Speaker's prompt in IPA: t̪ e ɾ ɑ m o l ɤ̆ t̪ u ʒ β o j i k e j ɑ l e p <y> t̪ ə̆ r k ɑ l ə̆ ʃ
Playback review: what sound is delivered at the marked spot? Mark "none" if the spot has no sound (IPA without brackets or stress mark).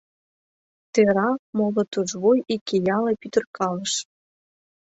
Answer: y